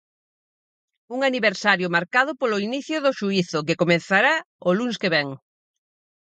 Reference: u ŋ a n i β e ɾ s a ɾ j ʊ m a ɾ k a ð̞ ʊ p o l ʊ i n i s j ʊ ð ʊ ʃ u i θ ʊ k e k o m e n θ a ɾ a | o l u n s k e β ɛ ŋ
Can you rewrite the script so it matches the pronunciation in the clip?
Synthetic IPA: u ŋ a n i β e ɾ s a ɾ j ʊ m a ɾ k a ð̞ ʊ p o l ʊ i n i θ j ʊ ð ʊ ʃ u i θ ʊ k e k o m e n θ a ɾ a | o l u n s k e β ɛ ŋ